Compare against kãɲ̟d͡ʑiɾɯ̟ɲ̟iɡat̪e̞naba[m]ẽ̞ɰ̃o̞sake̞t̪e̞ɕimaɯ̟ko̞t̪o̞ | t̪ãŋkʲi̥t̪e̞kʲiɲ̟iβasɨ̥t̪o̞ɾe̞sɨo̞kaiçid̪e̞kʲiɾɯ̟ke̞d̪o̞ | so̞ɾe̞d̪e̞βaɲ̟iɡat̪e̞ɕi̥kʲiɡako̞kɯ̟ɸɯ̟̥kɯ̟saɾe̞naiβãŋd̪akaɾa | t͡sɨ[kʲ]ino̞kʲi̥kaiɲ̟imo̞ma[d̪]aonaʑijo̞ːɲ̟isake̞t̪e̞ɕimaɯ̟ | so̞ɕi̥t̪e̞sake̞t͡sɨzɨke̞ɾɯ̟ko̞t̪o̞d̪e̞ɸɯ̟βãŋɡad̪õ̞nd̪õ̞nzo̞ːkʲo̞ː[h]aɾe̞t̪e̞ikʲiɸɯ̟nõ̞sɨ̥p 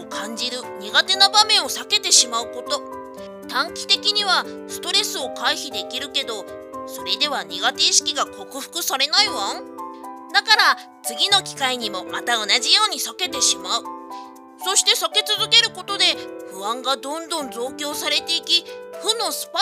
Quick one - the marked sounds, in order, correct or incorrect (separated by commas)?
correct, incorrect, incorrect, incorrect